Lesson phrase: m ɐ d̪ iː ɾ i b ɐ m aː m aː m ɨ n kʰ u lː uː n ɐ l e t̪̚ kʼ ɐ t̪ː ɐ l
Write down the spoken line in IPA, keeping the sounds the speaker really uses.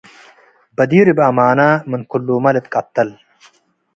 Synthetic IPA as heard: b ɐ d̪ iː ɾ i b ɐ m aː n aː m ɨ n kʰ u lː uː m ɐ l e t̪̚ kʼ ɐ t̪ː ɐ l